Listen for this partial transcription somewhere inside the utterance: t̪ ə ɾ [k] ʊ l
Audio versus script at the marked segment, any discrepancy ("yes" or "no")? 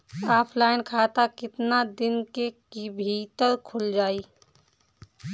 yes